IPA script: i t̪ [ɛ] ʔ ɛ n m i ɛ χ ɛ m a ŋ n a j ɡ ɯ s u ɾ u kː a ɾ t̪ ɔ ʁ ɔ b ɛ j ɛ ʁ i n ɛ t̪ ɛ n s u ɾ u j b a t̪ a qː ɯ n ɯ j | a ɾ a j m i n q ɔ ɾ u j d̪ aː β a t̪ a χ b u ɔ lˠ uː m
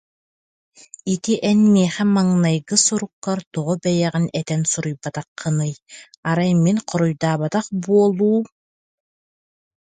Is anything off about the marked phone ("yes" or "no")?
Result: yes